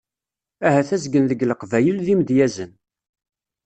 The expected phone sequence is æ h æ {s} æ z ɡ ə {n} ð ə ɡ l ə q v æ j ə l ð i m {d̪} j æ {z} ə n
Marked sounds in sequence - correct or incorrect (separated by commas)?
incorrect, correct, correct, correct